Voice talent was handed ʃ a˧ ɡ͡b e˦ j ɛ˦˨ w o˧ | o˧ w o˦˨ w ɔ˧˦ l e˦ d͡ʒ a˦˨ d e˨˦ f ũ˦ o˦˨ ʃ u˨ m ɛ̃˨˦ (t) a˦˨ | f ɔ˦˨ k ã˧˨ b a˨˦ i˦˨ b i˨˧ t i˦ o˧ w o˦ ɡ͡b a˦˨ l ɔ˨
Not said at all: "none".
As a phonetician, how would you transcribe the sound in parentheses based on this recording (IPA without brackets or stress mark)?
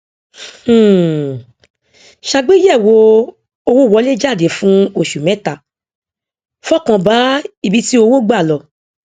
t